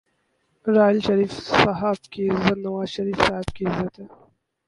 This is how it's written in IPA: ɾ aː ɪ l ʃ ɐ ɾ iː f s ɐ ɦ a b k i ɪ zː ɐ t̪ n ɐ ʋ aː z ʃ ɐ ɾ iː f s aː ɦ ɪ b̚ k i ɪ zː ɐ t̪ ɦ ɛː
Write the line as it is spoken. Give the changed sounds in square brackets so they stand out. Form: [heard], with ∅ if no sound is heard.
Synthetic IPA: ɾ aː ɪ l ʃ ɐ ɾ iː f s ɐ ɦ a b k i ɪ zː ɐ t̪ n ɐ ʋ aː z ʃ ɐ ɾ iː f s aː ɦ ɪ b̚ k i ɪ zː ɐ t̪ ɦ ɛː